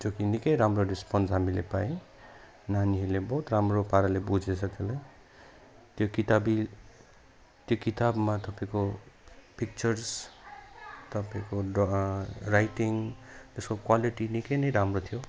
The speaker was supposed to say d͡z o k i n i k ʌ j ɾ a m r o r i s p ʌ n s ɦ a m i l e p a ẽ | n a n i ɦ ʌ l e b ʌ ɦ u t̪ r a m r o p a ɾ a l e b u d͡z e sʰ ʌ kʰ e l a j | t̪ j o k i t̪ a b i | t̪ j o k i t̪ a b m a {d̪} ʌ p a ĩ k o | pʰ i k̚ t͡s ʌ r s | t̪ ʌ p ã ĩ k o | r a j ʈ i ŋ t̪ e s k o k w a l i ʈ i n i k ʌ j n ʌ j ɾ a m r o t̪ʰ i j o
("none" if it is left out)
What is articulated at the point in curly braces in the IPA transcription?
t̪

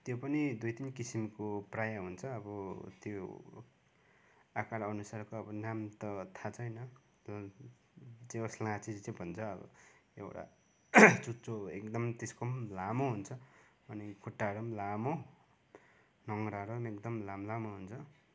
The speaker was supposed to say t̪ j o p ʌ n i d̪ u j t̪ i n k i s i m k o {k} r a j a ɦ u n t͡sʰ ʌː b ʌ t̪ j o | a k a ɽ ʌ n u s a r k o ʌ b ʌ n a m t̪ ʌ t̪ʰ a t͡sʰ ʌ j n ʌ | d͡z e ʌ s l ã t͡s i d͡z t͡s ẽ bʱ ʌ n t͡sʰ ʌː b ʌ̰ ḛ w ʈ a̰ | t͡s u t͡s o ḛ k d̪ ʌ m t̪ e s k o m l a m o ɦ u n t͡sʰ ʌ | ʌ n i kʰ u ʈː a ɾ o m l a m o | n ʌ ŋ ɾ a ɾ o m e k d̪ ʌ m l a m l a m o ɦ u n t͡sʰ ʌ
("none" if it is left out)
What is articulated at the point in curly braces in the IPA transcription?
p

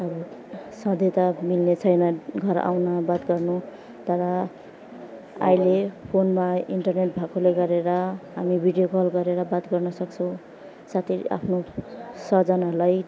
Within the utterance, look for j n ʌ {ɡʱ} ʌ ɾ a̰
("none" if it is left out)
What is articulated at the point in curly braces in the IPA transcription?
ɡʱ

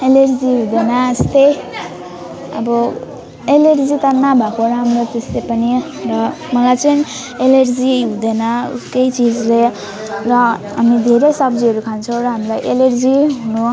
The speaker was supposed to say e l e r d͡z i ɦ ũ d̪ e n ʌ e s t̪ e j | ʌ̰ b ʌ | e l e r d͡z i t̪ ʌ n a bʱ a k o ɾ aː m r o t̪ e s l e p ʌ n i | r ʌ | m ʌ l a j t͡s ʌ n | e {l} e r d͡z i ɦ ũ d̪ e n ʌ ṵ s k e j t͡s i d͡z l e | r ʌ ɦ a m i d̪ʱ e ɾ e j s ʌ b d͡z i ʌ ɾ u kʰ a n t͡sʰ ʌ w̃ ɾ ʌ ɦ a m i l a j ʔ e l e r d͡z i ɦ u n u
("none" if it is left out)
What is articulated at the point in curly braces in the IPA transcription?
l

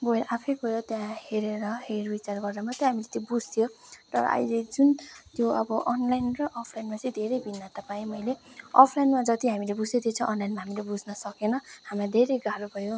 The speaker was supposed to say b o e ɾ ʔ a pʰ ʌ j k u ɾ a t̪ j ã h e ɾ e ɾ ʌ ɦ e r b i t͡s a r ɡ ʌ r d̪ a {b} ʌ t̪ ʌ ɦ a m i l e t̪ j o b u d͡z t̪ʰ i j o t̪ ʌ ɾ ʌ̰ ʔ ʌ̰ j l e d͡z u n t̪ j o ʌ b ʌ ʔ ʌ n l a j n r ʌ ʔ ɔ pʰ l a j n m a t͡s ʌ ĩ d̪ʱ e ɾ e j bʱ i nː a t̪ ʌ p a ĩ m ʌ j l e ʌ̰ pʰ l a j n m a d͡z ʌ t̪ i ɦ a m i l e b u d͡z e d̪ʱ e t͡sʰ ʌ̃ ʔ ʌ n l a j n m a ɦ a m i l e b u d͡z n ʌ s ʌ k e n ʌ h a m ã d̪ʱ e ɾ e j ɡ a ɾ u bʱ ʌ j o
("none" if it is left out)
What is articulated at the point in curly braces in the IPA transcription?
m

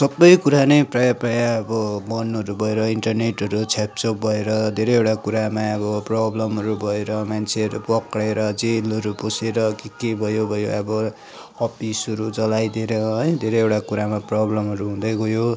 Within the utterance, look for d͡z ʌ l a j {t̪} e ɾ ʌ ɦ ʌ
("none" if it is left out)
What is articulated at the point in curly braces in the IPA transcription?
d̪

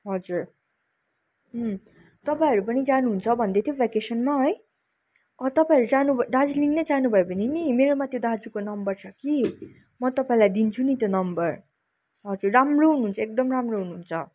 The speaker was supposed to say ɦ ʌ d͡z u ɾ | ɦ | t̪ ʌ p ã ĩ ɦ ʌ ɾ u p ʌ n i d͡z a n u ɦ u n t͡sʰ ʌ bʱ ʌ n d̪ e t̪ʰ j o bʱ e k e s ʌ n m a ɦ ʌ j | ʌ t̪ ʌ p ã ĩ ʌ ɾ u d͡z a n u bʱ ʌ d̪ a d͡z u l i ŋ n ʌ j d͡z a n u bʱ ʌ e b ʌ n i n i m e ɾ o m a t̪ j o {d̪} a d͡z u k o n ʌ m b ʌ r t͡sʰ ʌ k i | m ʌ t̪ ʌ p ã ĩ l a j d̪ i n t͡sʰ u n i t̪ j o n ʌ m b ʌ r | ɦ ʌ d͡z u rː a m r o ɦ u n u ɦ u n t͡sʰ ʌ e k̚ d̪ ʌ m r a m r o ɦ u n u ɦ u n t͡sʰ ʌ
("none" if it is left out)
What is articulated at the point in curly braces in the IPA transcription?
d̪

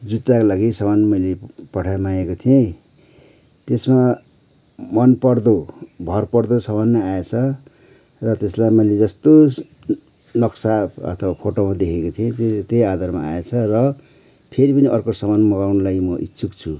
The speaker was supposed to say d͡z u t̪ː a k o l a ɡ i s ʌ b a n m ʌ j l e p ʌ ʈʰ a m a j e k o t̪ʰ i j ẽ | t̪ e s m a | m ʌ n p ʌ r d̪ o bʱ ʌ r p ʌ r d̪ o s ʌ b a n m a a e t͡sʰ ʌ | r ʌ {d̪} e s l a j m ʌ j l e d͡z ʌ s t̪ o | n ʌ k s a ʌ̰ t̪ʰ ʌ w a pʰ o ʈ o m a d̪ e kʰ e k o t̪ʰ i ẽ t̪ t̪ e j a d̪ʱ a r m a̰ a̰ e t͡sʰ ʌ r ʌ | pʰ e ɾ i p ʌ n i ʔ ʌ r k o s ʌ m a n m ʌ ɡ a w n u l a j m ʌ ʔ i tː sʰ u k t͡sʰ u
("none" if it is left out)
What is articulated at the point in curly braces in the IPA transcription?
t̪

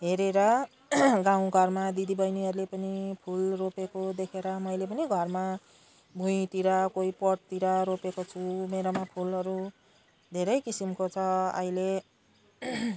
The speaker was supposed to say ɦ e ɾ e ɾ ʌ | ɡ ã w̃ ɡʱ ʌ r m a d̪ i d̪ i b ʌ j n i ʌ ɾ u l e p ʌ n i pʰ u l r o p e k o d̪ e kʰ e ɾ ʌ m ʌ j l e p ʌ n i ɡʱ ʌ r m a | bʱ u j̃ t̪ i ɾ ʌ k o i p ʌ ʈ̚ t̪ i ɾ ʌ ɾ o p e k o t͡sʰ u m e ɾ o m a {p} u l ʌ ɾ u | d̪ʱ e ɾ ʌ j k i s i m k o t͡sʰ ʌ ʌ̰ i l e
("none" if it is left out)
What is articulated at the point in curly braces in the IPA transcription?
pʰ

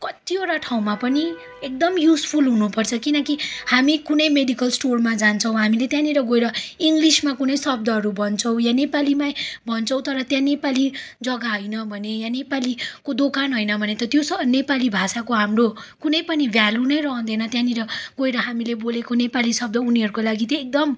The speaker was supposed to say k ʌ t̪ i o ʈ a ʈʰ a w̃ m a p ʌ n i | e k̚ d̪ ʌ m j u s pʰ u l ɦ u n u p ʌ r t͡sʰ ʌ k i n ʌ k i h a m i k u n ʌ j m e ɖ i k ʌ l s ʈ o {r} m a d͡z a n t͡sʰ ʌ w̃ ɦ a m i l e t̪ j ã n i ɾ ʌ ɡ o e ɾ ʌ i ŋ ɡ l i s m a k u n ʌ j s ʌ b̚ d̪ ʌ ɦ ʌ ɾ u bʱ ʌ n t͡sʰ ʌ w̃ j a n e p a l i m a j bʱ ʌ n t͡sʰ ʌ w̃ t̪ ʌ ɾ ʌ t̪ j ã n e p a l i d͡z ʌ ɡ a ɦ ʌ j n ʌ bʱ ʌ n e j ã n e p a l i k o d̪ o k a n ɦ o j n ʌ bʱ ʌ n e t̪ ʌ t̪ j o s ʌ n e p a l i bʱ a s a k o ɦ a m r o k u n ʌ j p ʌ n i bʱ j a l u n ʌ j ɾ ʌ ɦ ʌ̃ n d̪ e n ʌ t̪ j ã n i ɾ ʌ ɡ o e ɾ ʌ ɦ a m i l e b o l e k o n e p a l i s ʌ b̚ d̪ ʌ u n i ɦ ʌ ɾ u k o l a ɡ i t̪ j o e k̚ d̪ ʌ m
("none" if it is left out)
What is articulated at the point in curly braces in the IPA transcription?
r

